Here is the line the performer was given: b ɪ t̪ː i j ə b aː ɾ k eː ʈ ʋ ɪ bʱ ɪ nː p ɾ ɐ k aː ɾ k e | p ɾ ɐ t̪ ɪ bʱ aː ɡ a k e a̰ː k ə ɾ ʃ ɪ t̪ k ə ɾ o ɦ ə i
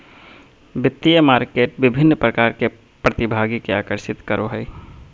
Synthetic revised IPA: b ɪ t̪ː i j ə m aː ɾ k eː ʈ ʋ ɪ bʱ ɪ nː p ɾ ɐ k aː ɾ k e | p ɾ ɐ t̪ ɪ bʱ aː ɡ i k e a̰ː k ə ɾ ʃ ɪ t̪ k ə ɾ o ɦ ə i